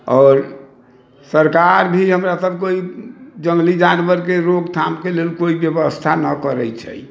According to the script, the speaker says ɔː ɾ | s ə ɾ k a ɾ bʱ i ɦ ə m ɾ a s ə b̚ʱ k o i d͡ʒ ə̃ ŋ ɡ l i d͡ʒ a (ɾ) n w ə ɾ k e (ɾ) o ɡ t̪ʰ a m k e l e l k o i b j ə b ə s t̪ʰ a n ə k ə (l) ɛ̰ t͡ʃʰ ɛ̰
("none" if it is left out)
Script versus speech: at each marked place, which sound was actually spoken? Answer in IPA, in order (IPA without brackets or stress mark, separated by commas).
none, ɾ, ɾ